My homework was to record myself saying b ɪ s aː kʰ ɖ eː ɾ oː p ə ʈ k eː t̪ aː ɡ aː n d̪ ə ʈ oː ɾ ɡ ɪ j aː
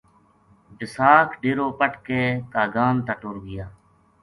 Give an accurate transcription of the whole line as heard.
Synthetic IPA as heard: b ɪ s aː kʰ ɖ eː ɾ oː p ə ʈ k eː t̪ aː ɡ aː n t̪ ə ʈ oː ɾ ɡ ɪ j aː